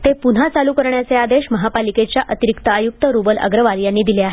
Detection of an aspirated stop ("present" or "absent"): absent